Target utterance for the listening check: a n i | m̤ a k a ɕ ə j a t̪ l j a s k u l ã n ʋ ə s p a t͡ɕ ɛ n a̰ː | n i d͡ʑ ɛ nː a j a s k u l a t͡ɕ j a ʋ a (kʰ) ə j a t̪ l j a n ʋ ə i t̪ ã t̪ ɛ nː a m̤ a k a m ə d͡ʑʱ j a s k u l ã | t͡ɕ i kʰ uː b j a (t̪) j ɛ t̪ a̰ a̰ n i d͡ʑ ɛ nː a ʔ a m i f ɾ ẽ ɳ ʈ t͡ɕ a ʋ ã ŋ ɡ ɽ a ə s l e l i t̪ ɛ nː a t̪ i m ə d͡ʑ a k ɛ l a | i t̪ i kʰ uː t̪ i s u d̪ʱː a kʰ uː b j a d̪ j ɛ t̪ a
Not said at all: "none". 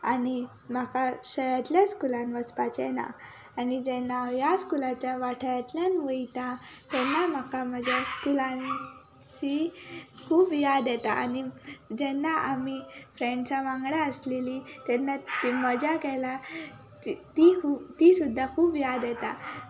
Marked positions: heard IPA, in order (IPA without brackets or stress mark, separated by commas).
ʈʰ, d̪